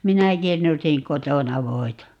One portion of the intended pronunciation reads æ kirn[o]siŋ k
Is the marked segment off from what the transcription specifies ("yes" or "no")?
yes